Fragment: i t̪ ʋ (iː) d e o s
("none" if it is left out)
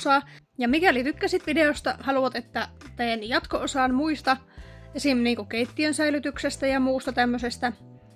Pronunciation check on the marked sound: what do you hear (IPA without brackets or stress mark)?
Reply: i